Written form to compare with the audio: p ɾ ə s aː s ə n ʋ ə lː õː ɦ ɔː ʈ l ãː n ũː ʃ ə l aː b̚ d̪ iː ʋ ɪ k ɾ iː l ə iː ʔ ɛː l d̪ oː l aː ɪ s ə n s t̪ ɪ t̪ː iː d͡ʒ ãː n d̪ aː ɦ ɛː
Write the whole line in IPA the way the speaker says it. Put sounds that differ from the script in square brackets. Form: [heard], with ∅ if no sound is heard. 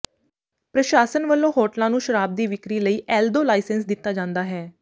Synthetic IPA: p ɾ ə [ʃ] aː s ə n ʋ ə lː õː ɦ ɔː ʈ l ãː n ũː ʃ ə [ɾ] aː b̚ d̪ iː ʋ ɪ k ɾ iː l ə iː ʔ ɛː l d̪ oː l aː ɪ s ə n s [d̪] ɪ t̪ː [aː] d͡ʒ ãː n d̪ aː ɦ ɛː

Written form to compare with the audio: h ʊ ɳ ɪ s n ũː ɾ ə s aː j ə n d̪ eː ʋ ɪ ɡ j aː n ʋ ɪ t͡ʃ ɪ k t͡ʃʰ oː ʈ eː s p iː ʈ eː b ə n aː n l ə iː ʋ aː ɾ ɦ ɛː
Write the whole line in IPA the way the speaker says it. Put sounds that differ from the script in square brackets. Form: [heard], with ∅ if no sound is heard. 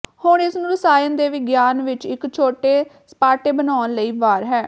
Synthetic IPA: h ʊ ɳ ɪ s n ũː ɾ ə s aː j ə n d̪ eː ʋ ɪ ɡ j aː n ʋ ɪ t͡ʃ ɪ k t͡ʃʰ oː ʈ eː s p [aː] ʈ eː b ə n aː n l ə iː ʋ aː ɾ ɦ ɛː

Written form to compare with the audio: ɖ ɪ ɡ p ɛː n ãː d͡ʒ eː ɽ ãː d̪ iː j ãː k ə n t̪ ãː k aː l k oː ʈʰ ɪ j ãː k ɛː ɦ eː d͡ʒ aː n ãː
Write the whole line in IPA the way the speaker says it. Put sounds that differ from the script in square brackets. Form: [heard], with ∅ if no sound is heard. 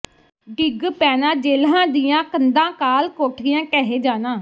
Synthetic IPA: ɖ ɪ ɡ p ɛː n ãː d͡ʒ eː [l] ãː d̪ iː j ãː k ə n [d̪] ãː k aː l k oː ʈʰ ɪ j ãː k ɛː ɦ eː d͡ʒ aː n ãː

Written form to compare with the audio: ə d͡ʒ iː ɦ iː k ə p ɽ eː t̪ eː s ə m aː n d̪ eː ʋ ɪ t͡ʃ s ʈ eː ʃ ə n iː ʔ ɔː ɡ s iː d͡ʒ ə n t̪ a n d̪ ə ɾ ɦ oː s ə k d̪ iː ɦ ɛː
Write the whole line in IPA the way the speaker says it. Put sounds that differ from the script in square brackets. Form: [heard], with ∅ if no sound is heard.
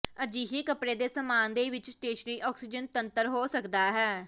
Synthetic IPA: ə d͡ʒ iː ɦ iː k ə p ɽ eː [d̪] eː s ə m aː n d̪ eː ʋ ɪ t͡ʃ s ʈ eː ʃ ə n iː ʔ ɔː [k] s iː d͡ʒ ə n t̪ [ə] n [t̪] ə ɾ ɦ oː s ə k d̪ [aː] ɦ ɛː

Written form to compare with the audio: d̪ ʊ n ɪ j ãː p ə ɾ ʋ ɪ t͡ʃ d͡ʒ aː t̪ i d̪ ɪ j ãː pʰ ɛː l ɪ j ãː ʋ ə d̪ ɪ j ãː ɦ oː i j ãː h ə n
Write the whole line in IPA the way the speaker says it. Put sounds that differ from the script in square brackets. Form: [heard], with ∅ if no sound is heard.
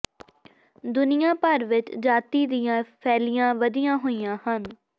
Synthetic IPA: d̪ ʊ n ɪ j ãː p ə ɾ ʋ ɪ t͡ʃ d͡ʒ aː t̪ [iː] d̪ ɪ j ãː pʰ ɛː l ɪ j ãː ʋ ə d̪ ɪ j ãː ɦ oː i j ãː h ə n

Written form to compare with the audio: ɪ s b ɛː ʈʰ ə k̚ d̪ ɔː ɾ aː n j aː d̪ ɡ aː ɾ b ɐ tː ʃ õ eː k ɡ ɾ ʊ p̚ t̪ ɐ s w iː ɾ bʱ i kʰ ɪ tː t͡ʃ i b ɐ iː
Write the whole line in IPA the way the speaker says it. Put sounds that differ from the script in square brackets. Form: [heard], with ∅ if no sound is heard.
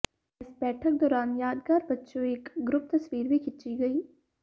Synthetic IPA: ɪ s b ɛː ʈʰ ə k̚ d̪ ɔː ɾ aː n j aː d̪ ɡ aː ɾ b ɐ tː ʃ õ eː k ɡ ɾ ʊ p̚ t̪ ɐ s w iː ɾ bʱ i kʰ ɪ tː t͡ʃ i [ɡ] ɐ iː

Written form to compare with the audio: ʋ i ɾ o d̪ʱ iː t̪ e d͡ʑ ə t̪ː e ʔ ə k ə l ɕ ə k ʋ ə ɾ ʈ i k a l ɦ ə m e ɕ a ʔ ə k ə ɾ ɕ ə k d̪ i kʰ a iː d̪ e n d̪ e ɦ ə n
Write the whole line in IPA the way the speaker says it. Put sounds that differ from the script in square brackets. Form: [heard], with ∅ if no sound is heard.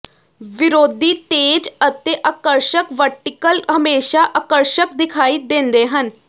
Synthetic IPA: ʋ i ɾ o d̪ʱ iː t̪ e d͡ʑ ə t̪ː e ʔ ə k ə [ɾ] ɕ ə k ʋ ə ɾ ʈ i k [ə] l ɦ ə m e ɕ a ʔ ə k ə ɾ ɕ ə k d̪ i kʰ a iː d̪ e n d̪ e ɦ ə n

